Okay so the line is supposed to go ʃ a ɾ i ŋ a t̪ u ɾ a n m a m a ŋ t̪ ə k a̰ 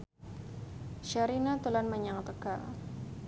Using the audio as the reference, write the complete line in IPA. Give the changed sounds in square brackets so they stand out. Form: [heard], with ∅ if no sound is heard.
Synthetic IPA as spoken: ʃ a ɾ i [n] a t̪ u [l] a n m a [ɲ] a ŋ t̪ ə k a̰